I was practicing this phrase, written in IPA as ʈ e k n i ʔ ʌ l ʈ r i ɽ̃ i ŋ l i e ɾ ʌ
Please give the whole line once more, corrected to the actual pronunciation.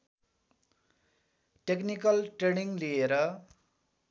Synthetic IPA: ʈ e k n i k ʌ l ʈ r e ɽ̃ i ŋ l i e ɾ ʌ